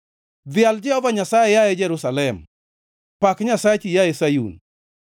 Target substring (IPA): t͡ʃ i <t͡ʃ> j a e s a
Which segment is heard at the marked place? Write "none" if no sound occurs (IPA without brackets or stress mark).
none